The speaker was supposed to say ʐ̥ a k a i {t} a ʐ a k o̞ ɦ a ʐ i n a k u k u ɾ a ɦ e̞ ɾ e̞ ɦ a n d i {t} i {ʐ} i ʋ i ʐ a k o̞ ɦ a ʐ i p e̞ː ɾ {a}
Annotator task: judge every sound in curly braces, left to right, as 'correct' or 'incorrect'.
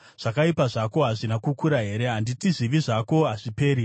incorrect, correct, incorrect, incorrect

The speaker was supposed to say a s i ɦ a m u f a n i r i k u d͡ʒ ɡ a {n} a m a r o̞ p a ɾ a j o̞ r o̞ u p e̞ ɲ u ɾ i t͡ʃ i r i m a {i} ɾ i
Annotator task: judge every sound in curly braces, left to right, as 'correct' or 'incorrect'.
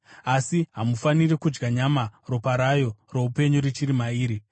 incorrect, incorrect

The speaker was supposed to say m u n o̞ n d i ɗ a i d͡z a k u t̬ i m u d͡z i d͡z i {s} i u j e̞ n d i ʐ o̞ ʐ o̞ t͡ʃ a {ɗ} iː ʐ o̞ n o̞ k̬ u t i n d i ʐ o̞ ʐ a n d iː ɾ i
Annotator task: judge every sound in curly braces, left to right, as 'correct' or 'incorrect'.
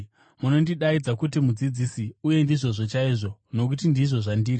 correct, incorrect

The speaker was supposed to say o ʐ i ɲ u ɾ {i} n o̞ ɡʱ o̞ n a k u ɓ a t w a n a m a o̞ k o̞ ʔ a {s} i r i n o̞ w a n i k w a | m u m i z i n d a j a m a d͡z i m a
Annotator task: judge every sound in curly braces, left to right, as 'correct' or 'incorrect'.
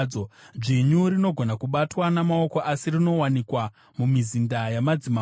correct, correct

